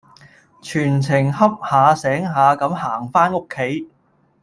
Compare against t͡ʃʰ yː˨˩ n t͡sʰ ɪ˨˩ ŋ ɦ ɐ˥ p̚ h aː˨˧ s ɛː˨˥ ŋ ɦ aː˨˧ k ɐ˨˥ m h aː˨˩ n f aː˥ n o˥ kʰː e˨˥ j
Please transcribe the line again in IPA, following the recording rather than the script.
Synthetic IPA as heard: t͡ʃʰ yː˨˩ n t͡sʰ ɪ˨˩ ŋ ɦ ɐ˥ p̚ h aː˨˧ s ɛː˨˥ ŋ ɦ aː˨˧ k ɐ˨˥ m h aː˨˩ ŋ f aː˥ n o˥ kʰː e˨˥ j